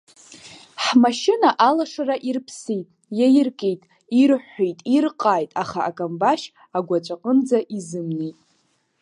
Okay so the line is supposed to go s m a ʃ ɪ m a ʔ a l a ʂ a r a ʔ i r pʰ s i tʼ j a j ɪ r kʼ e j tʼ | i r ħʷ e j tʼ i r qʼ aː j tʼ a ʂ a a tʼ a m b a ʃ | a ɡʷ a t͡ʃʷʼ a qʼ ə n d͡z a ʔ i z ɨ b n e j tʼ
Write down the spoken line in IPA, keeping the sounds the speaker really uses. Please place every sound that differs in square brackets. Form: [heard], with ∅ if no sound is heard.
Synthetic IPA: [ħ] m a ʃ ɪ [n] a ʔ a l a ʂ a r a ʔ i r pʰ s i tʼ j a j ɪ r kʼ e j tʼ | i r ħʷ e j tʼ i r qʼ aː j tʼ a [χ] a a [kʼ] a m b a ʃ | a ɡʷ a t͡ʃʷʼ a qʼ ə n d͡z a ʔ i z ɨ [m] n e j tʼ

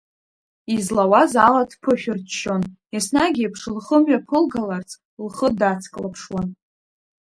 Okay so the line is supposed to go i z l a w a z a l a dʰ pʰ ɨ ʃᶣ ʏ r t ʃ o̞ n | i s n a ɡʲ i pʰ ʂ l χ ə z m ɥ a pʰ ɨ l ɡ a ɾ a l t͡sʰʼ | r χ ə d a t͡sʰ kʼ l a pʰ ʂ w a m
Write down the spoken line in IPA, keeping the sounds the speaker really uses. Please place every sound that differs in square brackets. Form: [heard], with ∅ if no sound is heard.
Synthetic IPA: i z l a w a z a l a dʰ pʰ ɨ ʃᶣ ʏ r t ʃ o̞ n | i s n a ɡʲ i pʰ ʂ l χ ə [∅] m ɥ a pʰ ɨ l ɡ a [l] a [r] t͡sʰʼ | [l] χ ə d a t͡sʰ kʼ l a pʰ ʂ w a [n]

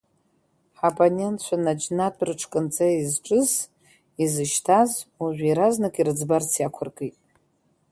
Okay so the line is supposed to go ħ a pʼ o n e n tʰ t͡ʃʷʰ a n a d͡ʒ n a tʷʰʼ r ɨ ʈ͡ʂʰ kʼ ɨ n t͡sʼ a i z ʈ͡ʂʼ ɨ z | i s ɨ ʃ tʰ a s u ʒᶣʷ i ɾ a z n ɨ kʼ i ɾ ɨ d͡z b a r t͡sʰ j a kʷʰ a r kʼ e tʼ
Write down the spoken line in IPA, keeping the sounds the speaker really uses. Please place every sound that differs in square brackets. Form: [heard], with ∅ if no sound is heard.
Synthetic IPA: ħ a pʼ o n e n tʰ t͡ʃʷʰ a n a d͡ʒ n a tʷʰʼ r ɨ ʈ͡ʂʰ kʼ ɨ n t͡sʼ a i z ʈ͡ʂʼ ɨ z | i [z] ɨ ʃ tʰ a [z] u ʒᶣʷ i ɾ a z n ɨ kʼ i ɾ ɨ d͡z b a r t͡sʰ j a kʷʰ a r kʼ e tʼ

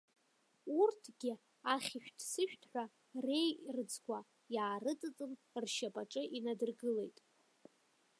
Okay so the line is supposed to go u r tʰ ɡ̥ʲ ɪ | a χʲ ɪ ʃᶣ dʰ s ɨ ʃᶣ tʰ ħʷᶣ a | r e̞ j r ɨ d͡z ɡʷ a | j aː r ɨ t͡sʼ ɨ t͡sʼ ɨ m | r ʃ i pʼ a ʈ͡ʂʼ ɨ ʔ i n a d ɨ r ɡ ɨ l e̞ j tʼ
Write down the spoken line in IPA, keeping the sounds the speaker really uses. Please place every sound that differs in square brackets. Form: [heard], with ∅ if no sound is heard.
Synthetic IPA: u r tʰ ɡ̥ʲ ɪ | a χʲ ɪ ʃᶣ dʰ s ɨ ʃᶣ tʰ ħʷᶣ a | r e̞ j r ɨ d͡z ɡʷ a | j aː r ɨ t͡sʼ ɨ t͡sʼ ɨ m | r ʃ [a] pʼ a ʈ͡ʂʼ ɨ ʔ i n a d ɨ r ɡ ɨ l e̞ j tʼ

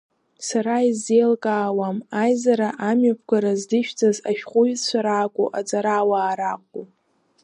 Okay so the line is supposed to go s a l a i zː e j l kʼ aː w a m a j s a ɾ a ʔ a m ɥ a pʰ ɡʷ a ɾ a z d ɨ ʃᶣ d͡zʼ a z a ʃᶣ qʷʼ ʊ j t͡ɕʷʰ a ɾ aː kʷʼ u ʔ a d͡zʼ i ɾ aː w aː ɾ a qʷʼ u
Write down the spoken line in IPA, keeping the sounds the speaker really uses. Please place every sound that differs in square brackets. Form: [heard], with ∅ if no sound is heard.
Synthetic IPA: s a [ɾ] a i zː e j l kʼ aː w a m a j [z] a ɾ a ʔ a m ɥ a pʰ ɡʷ a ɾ a z d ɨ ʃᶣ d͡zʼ a z a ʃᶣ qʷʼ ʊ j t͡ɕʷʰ a ɾ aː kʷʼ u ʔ a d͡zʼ [a] ɾ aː w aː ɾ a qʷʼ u

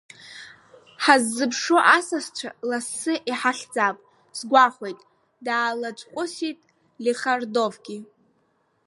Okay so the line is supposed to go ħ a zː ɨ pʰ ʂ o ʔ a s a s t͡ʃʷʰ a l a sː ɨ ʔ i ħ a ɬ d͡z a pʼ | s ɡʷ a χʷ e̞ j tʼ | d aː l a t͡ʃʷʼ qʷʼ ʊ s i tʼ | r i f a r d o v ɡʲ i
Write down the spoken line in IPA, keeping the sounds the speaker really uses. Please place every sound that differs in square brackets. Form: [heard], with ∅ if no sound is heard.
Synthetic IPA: ħ a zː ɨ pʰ ʂ o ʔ a s a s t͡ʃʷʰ a l a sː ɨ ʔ i ħ a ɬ d͡z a pʼ | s ɡʷ a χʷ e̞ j tʼ | d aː l a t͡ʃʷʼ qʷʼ ʊ s i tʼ | [l] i [χ] a r d o v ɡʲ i

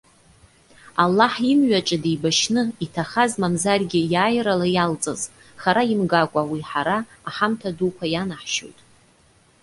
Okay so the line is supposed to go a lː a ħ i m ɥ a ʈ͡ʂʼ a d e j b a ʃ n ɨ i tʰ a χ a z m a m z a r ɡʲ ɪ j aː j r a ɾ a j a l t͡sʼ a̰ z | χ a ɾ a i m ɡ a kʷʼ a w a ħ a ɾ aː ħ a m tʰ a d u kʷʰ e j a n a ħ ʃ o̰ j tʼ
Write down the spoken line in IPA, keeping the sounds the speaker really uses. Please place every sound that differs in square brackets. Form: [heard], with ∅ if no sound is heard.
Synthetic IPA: a lː a ħ i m ɥ a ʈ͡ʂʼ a d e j b a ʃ n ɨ i tʰ a χ a z m a m z a r ɡʲ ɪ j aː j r a [l] a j a l t͡sʼ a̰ z | χ a ɾ a i m ɡ a kʷʼ a w [i] ħ a ɾ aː ħ a m tʰ a d u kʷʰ [a] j a n a ħ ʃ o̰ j tʼ

